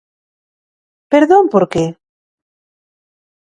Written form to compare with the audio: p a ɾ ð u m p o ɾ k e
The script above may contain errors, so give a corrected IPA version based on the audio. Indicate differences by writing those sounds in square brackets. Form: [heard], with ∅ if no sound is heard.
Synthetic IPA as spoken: p [e] ɾ ð [o] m p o ɾ k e